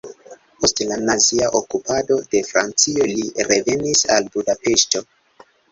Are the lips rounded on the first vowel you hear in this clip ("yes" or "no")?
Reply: yes